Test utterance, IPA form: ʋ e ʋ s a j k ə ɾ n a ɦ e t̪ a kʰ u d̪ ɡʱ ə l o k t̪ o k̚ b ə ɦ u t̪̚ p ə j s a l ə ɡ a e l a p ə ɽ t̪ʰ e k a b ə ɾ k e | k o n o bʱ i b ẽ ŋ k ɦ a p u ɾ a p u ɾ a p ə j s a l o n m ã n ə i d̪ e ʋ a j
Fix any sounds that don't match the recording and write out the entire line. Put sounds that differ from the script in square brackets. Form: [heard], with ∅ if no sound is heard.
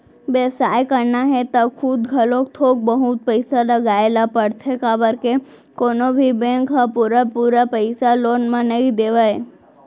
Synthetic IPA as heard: ʋ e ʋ s a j k ə ɾ n a ɦ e t̪ a kʰ u d̪ ɡʱ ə l o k [t̪ʰ] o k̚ b ə ɦ u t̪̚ p ə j s a l ə ɡ a e l a p ə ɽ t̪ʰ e k a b ə ɾ k e | k o n o bʱ i b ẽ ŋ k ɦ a p u ɾ a p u ɾ a p ə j s a l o n m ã n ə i d̪ e ʋ a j

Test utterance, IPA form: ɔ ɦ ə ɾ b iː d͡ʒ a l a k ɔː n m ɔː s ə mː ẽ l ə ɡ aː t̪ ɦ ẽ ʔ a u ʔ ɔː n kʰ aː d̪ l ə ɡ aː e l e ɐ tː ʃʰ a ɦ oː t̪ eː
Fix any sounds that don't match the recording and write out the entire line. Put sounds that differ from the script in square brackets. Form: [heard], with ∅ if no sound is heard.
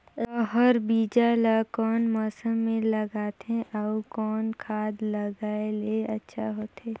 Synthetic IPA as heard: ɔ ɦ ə ɾ b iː d͡ʒ a l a k ɔː n m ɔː s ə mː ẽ l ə ɡ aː t̪ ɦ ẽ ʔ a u [k] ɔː n kʰ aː d̪ l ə ɡ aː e l e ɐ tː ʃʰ a ɦ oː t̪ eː

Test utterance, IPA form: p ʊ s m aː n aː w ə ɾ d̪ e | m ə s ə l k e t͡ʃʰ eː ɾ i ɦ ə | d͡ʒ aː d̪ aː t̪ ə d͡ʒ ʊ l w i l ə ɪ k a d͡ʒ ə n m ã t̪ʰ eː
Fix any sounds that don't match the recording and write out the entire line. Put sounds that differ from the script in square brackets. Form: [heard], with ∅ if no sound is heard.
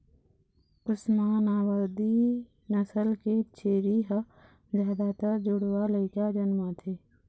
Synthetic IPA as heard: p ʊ s m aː n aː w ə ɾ d̪ [i] | [n] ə s ə l k e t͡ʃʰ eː ɾ i ɦ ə | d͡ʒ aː d̪ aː t̪ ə d͡ʒ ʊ [ɽ] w [a] l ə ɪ k a d͡ʒ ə n m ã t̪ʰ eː

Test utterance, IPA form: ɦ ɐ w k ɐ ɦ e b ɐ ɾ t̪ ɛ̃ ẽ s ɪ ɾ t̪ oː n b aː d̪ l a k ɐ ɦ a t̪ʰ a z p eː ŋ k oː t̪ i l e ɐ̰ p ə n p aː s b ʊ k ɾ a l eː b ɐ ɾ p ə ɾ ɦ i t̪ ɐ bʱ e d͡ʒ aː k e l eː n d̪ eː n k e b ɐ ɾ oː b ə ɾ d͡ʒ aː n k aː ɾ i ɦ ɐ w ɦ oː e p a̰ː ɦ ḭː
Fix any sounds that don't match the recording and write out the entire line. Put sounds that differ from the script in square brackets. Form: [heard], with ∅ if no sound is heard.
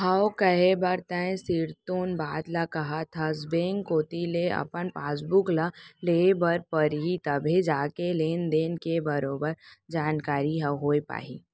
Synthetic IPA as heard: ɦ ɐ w k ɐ ɦ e b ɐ ɾ t̪ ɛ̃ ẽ s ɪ ɾ t̪ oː n b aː d̪ l a k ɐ ɦ a t̪ʰ a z [b] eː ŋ k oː t̪ i l e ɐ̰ p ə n p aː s b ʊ k [l] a l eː b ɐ ɾ p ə ɾ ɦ i t̪ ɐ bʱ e d͡ʒ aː k e l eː n d̪ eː n k e b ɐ ɾ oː b ə ɾ d͡ʒ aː n k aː ɾ i ɦ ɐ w ɦ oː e p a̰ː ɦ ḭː

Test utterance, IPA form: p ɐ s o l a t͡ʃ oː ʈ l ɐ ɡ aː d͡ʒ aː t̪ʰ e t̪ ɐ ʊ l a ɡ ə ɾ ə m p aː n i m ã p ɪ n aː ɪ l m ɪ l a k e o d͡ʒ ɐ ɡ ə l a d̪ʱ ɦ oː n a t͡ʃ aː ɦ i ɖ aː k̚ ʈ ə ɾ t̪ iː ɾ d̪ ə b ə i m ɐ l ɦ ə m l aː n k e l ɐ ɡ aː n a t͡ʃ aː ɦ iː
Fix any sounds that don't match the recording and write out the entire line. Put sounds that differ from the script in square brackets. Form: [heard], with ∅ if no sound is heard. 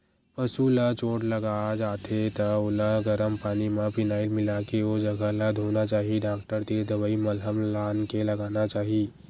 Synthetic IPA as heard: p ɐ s [u] l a t͡ʃ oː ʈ l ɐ ɡ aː d͡ʒ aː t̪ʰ e t̪ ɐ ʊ l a ɡ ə ɾ ə m p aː n i m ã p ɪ n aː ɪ l m ɪ l a k e o d͡ʒ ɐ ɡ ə l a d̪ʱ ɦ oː n a t͡ʃ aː ɦ i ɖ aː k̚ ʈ ə ɾ t̪ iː ɾ d̪ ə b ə i m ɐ l ɦ ə m l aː n k e l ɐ ɡ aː n a t͡ʃ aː ɦ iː

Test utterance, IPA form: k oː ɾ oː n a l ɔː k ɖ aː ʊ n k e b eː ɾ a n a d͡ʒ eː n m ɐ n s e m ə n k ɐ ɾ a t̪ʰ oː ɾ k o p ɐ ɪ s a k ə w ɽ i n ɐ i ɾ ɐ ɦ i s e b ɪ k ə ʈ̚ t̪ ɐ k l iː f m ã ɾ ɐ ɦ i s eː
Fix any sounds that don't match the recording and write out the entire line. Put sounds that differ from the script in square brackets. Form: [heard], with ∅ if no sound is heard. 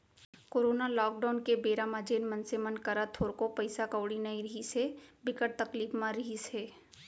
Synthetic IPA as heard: k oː ɾ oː n a l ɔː k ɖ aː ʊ n k e b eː ɾ a [m] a d͡ʒ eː n m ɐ n s e m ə n k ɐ ɾ a t̪ʰ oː ɾ k o p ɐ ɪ s a k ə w ɽ i n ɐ i ɾ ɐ ɦ i s e b ɪ k ə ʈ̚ t̪ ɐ k l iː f m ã ɾ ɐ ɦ i s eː

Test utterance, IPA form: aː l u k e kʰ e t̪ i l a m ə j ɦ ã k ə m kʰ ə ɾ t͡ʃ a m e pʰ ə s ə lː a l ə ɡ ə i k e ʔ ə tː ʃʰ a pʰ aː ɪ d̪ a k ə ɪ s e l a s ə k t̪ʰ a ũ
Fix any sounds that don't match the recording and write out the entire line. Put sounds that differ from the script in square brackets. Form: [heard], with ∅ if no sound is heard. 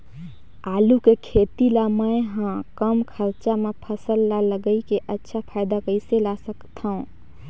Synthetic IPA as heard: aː l u k e kʰ e t̪ i l a m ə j ɦ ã k ə m kʰ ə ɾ t͡ʃ a m e pʰ ə s ə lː a l ə ɡ ə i k e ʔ ə tː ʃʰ a pʰ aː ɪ d̪ a k ə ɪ s e l a s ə k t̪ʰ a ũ

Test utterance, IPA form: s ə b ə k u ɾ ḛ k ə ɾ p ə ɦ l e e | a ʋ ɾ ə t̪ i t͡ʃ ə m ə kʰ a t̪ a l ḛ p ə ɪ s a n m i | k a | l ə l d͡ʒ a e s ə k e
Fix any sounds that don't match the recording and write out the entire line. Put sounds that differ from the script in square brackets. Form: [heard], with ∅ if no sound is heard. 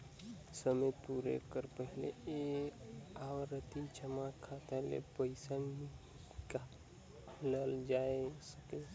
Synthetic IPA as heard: s ə [m] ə [p] u ɾ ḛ k ə ɾ p ə ɦ l e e | a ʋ ɾ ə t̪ i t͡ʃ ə m [a] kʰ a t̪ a l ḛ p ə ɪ s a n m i | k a | l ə l d͡ʒ a e s ə k e

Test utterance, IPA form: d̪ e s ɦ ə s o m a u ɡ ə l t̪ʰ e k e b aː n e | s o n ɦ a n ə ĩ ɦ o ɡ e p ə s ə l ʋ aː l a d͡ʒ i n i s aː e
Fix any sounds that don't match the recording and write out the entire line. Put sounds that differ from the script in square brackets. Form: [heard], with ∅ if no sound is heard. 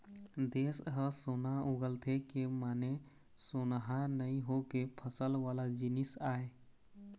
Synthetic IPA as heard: d̪ e s ɦ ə s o [n] a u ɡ ə l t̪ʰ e k e [m] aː n e | s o n ɦ a n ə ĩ ɦ o [k] e [pʰ] ə s ə l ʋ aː l a d͡ʒ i n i s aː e

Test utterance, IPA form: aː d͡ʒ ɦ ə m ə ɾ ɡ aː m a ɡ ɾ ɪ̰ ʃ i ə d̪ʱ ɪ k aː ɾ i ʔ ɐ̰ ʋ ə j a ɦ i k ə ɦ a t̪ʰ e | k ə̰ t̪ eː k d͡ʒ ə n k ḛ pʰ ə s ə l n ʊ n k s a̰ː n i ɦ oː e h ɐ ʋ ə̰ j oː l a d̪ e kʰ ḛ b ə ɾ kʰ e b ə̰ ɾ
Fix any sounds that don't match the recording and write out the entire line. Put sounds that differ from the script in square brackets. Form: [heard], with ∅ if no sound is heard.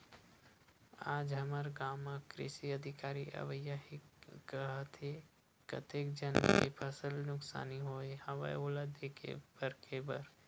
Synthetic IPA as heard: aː d͡ʒ ɦ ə m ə ɾ ɡ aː m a [k] ɾ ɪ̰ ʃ i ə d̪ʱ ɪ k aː ɾ i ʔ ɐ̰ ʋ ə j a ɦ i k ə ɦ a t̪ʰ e | k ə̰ t̪ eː k d͡ʒ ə n k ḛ pʰ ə s ə l n ʊ [∅] k s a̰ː n i ɦ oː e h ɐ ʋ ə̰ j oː l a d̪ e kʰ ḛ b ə ɾ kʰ e b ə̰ ɾ

